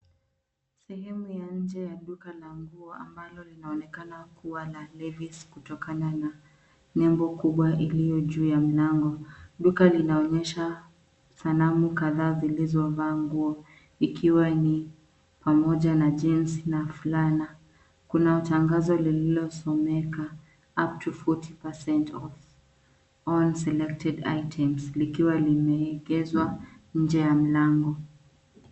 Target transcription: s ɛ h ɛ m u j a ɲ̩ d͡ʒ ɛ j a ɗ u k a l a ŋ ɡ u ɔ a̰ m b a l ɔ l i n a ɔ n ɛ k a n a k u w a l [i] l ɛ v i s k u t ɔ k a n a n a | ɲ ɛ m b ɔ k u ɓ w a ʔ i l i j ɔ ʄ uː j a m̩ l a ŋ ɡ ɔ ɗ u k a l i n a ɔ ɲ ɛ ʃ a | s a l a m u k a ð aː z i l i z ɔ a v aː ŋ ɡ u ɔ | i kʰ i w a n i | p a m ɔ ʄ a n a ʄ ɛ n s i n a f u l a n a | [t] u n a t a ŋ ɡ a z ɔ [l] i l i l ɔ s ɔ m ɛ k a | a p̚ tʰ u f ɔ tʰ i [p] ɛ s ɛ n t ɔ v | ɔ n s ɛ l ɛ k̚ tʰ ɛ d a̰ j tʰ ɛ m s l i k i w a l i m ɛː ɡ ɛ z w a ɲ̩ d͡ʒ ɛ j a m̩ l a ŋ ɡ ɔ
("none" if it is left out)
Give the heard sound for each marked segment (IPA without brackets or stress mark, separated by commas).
a, k, l, p